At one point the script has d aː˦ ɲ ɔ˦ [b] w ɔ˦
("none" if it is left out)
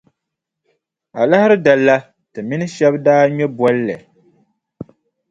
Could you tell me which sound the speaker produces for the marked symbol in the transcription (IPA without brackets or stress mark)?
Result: b